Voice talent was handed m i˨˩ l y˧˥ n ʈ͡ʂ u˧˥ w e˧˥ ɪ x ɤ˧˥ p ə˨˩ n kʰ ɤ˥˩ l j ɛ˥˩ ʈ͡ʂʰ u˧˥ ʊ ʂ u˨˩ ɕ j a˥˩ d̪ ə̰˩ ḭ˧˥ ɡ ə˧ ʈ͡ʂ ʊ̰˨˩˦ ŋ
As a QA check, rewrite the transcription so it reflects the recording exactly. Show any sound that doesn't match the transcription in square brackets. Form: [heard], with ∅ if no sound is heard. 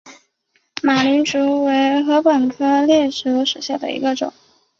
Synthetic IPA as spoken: m [a˨˩] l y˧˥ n ʈ͡ʂ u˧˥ w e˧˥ ɪ x ɤ˧˥ p ə˨˩ n kʰ [ɤ˥] l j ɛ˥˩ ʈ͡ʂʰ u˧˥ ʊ ʂ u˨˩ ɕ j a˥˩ d̪ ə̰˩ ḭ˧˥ ɡ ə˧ ʈ͡ʂ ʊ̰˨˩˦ ŋ